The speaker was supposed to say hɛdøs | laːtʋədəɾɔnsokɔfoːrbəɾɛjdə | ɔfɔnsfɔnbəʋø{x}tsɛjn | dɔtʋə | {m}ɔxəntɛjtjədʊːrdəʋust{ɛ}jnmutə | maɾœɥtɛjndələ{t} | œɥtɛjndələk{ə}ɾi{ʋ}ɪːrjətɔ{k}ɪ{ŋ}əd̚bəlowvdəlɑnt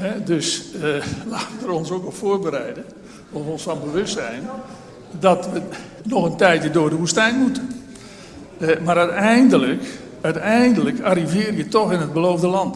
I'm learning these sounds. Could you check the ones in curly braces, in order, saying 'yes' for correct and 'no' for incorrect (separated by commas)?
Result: no, no, yes, no, no, no, no, no